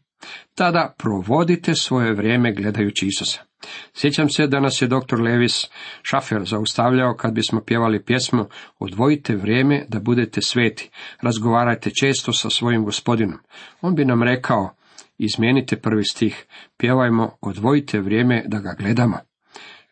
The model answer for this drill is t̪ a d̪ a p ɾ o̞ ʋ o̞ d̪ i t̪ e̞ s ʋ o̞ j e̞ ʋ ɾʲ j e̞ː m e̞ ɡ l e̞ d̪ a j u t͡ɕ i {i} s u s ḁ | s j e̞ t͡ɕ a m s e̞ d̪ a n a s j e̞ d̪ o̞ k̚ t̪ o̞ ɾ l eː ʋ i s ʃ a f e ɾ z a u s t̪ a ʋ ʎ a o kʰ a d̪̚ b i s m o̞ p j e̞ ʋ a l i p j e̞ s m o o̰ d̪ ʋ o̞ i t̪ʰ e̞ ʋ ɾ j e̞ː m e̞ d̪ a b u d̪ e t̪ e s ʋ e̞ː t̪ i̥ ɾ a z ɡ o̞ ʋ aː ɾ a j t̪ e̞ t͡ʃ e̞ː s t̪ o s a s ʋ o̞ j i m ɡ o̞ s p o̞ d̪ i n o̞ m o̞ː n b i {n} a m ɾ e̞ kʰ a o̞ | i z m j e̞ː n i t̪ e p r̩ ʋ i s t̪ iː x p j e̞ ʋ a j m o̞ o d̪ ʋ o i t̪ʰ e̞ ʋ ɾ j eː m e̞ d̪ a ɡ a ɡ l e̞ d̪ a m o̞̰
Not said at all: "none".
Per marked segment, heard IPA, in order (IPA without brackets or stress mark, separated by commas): i, n